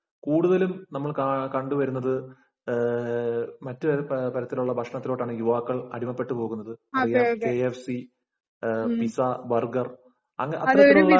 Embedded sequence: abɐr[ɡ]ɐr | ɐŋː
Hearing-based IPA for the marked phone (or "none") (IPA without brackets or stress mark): ɡ